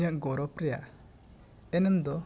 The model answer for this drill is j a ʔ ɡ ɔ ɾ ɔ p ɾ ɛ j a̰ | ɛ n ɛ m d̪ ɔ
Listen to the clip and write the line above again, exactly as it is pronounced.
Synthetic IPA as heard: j a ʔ ɡ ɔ ɾ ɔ p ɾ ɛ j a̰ | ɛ n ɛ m d̪ ɔ